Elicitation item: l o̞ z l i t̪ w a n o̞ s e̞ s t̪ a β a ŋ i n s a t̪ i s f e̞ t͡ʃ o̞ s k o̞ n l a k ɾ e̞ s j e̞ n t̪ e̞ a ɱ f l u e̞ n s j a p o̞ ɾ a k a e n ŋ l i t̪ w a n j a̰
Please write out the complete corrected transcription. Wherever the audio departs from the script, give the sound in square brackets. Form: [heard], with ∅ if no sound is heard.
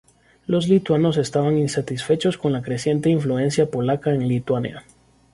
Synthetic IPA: l o̞ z l i t̪ w a n o̞ s e̞ s t̪ a β a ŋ i n s a t̪ i s f e̞ t͡ʃ o̞ s k o̞ n l a k ɾ e̞ s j e̞ n t̪ e̞ [i] ɱ f l u e̞ n s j a p o̞ [l] a k a e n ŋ l i t̪ w a n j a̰